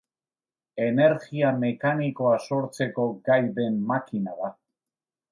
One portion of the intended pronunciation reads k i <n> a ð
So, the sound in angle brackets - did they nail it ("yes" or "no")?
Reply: yes